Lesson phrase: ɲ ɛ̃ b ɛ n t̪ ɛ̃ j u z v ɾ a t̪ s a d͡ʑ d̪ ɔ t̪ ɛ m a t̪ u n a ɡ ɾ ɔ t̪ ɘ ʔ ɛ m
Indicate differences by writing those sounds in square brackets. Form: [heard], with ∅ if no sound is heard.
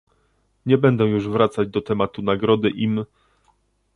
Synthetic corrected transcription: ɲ [ɛ] b ɛ n [d̪] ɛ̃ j u [ʐ] v ɾ a t̪ s a d͡ʑ d̪ ɔ t̪ ɛ m a t̪ u n a ɡ ɾ ɔ [d̪] ɘ ʔ [i] m